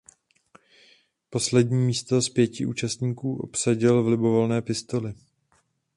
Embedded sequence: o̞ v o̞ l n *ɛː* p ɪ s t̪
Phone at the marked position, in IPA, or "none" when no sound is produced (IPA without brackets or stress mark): ɛː